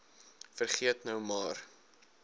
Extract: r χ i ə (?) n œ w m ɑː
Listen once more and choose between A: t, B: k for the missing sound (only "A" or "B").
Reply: A